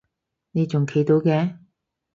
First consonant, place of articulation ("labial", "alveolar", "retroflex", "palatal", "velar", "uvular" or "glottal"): alveolar